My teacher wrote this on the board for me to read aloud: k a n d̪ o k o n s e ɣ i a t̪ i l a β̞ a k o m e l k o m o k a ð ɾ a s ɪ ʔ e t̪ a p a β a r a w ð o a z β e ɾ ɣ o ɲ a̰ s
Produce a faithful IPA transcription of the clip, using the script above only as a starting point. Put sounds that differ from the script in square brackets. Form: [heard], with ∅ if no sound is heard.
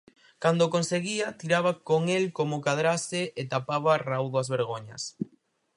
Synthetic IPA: k a n d̪ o k o n s e ɣ i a t̪ i [ɾ] a β̞ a k o [ŋ] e l k o m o k a ð ɾ a s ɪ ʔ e t̪ a p a β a r a w ð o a z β e ɾ ɣ o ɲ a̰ s